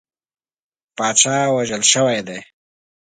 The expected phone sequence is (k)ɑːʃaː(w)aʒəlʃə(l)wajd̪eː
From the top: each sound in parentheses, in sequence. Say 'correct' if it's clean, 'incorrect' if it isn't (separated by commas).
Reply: incorrect, correct, incorrect